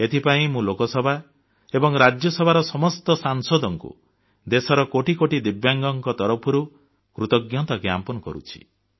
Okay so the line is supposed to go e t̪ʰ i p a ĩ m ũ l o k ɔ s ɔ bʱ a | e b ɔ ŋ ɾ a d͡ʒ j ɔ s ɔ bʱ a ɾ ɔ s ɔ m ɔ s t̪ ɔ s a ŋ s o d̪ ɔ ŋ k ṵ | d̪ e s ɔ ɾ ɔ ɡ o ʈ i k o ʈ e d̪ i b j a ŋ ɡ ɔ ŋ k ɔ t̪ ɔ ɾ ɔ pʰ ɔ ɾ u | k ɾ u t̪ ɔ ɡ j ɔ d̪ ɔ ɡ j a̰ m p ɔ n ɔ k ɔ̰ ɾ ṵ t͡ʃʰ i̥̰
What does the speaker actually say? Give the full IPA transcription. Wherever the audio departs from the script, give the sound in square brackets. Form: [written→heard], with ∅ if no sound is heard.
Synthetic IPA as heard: e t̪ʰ i p a ĩ m ũ l o k ɔ s ɔ bʱ a | e b ɔ ŋ ɾ a d͡ʒ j ɔ s ɔ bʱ a ɾ ɔ s ɔ m ɔ s t̪ ɔ s a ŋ s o d̪ ɔ ŋ k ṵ | d̪ e s ɔ ɾ ɔ [ɡ→k] o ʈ i k o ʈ [e→i] d̪ i b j a ŋ ɡ ɔ ŋ k ɔ t̪ ɔ ɾ ɔ pʰ ɔ ɾ u | k ɾ u t̪ ɔ ɡ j ɔ [d̪→t̪] ɔ ɡ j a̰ m p ɔ n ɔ k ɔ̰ ɾ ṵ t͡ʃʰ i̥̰